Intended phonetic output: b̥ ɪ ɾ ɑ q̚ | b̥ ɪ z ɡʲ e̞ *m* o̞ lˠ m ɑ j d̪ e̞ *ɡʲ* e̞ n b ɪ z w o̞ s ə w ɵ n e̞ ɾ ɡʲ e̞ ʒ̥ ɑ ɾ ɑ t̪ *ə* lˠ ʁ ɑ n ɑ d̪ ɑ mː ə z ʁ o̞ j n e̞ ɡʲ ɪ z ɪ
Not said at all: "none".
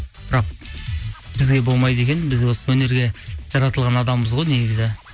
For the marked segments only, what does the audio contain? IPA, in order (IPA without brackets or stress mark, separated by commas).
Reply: b, kʲ, ə